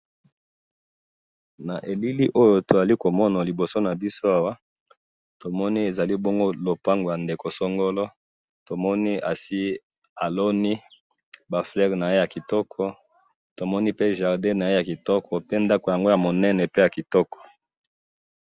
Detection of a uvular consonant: present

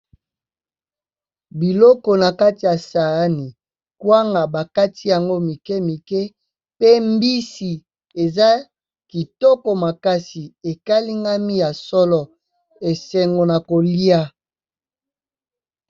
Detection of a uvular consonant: absent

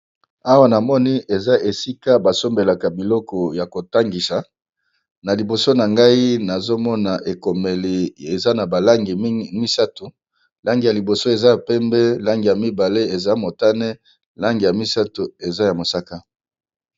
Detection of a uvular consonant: absent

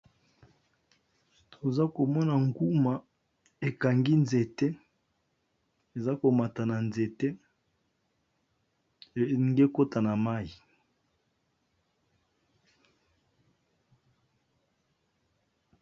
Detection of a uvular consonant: absent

